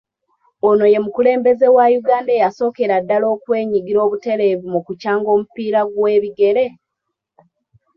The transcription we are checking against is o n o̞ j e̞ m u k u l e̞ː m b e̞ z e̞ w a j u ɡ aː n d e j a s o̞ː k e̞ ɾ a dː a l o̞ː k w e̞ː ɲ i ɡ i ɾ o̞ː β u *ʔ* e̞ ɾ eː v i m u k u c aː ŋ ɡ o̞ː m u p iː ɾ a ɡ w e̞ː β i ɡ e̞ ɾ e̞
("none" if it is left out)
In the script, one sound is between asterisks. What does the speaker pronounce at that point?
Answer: t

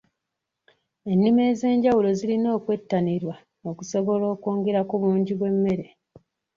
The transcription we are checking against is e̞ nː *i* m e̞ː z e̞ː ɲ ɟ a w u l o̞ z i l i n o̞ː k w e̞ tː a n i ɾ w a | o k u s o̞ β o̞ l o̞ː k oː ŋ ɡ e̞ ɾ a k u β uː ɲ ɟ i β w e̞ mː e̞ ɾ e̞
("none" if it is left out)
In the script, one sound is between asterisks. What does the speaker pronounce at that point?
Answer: i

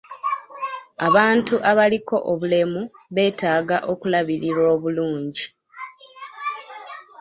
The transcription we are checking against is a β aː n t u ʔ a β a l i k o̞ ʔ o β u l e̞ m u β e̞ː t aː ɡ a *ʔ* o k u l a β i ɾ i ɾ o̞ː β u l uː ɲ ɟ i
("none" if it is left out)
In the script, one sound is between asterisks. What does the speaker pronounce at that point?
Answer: ʔ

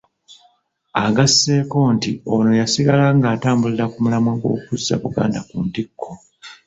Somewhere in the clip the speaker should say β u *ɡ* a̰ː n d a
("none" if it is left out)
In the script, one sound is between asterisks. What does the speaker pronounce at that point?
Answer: ɡ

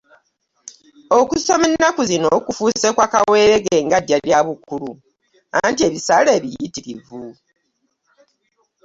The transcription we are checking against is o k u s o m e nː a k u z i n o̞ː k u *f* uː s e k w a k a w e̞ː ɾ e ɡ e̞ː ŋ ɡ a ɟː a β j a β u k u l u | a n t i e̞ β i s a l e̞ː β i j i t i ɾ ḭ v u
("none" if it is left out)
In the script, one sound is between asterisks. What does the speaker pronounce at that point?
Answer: f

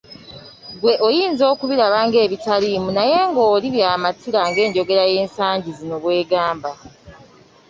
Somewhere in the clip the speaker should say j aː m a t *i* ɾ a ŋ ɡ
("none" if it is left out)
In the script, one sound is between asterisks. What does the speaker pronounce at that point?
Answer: i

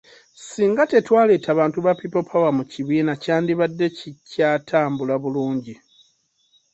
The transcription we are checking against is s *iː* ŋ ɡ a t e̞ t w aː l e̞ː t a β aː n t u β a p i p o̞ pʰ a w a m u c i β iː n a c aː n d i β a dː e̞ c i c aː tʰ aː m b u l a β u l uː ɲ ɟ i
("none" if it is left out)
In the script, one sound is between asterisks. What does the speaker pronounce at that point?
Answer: iː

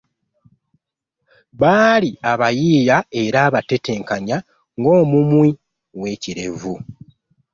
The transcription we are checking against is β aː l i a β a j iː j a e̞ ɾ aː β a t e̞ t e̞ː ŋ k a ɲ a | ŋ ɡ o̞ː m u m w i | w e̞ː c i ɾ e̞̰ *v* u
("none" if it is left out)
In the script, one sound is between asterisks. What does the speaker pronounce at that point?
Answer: v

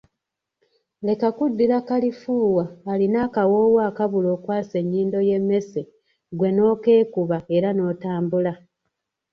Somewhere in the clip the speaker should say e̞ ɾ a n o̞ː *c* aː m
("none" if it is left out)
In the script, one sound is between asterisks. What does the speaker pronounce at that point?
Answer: t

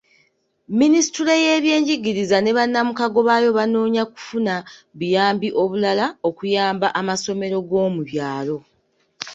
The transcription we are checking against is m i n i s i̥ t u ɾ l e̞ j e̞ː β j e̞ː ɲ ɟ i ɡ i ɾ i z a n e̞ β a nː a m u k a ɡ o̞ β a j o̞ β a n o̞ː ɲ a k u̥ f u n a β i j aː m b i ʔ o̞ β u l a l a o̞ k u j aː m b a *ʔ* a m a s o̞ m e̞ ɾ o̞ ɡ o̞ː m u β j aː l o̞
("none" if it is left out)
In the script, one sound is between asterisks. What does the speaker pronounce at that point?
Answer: ʔ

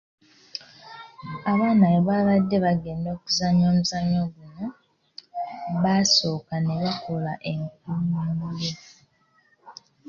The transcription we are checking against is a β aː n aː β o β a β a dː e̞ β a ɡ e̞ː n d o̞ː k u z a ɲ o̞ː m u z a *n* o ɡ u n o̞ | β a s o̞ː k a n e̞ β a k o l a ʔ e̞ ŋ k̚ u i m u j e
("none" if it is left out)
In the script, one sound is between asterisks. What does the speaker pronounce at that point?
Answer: ɲ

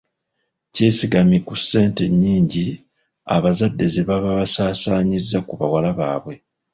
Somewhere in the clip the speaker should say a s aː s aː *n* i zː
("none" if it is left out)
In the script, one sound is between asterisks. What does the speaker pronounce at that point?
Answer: ɲ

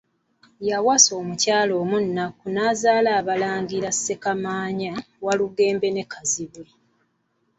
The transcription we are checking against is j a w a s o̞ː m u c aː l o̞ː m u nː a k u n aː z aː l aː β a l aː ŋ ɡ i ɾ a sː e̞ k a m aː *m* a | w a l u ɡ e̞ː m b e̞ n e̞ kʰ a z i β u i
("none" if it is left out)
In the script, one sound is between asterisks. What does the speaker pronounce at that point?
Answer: ɲ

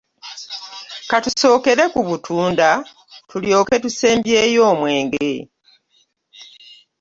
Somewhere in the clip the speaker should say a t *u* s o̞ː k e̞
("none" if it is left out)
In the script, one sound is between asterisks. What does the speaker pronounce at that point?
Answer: u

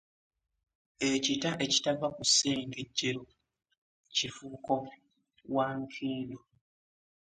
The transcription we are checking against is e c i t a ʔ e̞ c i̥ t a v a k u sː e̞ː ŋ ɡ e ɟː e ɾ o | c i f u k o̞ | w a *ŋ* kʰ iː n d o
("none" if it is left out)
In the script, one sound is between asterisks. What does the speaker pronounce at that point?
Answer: ŋ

